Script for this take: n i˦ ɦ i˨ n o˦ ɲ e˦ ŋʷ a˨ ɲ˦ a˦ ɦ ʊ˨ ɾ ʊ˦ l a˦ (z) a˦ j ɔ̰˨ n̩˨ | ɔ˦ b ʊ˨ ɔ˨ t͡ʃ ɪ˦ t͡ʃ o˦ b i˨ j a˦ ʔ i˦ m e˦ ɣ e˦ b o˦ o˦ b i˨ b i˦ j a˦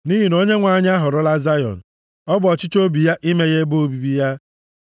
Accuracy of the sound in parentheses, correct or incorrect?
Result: correct